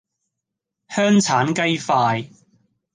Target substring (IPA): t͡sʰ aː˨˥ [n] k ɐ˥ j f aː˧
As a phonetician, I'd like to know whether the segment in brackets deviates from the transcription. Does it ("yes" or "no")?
no